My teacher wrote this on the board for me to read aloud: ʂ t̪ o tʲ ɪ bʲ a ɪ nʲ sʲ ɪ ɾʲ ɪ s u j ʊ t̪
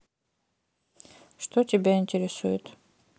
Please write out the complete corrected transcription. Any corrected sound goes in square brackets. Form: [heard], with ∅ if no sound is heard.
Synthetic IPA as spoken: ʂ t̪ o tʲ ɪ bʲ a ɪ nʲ [tʲ] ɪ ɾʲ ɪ s u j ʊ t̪